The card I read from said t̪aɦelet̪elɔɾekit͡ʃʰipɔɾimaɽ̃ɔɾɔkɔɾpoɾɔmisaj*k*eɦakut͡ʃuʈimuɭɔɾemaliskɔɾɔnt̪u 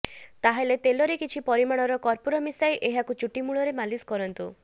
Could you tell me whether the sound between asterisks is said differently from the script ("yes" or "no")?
yes